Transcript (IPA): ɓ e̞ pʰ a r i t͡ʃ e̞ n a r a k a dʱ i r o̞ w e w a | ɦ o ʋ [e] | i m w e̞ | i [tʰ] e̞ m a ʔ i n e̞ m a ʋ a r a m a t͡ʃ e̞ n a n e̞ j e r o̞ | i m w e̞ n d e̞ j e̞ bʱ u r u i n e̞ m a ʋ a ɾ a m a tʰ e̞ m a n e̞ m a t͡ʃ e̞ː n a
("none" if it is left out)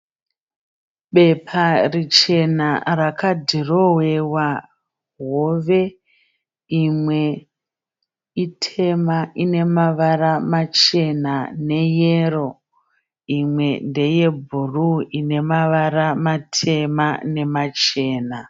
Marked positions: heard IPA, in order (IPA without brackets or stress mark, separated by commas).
e, tʰ